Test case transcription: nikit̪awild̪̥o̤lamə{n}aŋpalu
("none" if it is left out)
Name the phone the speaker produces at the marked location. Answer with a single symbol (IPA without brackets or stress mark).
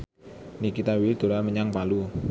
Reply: ɲ